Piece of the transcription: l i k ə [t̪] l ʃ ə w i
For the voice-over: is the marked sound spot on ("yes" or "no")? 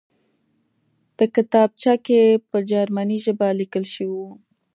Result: no